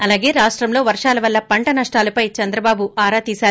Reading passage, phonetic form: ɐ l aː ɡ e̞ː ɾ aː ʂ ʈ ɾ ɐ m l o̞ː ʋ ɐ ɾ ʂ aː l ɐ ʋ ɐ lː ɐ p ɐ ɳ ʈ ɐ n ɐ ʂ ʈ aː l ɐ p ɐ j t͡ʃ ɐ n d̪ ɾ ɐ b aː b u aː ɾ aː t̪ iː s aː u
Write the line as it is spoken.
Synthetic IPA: ɐ l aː ɡ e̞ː ɾ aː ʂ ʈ ɾ ɐ m l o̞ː ʋ ɐ ɾ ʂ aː l ɐ ʋ ɐ lː ɐ p ɐ ɳ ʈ ɐ n ɐ ʂ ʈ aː l ɐ p ɐ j t͡ʃ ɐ n d̪ ɾ ɐ b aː b u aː ɾ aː t̪ iː s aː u